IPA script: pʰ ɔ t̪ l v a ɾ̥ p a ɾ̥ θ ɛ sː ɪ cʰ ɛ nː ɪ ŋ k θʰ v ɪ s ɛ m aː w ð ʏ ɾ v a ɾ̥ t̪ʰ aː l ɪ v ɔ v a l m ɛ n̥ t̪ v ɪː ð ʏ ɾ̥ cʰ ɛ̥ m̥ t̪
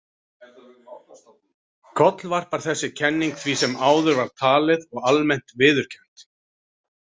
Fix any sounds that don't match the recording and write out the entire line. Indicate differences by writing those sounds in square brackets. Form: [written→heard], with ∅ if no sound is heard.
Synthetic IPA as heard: [pʰ→kʰ] ɔ t̪ l v a [ɾ̥→r̥] p a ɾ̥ θ ɛ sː ɪ cʰ ɛ nː [ɪ→i] ŋ k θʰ v [ɪ→i] s ɛ m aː w ð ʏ ɾ v a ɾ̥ t̪ʰ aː l ɪ [v→ð] ɔ [v→ɣ] a l m ɛ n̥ t̪ v ɪː ð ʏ ɾ̥ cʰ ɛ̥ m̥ t̪